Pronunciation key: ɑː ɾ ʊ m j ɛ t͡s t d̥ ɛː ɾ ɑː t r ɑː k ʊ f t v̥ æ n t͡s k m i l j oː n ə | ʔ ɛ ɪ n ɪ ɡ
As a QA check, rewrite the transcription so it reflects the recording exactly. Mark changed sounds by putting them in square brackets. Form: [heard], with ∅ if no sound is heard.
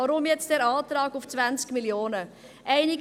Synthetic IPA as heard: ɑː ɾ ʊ m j ɛ t͡s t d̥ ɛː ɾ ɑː t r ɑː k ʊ f [t͡s] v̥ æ n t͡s k m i l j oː n ə | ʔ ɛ ɪ n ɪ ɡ